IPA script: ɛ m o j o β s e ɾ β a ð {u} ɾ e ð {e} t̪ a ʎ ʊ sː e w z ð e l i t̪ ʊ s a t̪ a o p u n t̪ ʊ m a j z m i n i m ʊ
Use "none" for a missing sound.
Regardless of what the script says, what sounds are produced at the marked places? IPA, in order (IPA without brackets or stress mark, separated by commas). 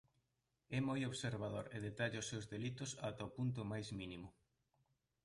o, e